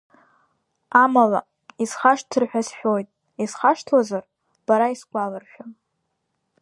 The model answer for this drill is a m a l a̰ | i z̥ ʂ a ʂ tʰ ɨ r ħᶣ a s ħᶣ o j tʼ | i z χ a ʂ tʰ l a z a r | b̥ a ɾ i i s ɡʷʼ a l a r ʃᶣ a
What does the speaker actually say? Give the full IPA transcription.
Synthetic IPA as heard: a m a l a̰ | i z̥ χ a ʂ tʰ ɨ r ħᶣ a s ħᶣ o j tʼ | i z χ a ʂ tʰ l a z a r | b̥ a ɾ a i s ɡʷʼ a l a r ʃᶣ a